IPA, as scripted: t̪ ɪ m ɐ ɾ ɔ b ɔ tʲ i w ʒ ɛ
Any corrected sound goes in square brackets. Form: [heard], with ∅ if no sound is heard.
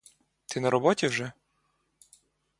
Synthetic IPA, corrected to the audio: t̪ ɪ [n] ɐ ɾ ɔ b ɔ tʲ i w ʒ ɛ